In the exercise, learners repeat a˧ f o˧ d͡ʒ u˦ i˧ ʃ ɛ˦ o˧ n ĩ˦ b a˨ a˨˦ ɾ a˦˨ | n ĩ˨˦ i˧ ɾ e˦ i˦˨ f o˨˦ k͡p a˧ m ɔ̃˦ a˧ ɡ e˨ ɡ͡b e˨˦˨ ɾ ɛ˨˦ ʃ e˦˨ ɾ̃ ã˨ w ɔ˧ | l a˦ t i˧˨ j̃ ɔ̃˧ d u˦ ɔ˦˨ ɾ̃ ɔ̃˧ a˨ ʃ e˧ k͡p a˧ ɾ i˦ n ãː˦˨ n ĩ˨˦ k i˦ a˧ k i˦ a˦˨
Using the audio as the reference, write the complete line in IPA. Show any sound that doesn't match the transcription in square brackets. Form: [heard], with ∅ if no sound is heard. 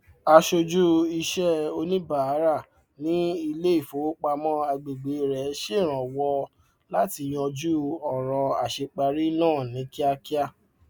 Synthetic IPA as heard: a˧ [ʃ] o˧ d͡ʒ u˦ i˧ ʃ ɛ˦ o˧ n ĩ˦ b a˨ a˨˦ ɾ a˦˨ | n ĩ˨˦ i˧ [l] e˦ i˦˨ f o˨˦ k͡p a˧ m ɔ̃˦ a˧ [ɡ͡b] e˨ ɡ͡b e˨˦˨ ɾ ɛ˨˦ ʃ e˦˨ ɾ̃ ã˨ w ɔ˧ | l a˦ t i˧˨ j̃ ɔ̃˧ [d͡ʒ] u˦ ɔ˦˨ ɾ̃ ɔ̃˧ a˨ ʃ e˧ k͡p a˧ ɾ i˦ n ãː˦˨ n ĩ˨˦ k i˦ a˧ k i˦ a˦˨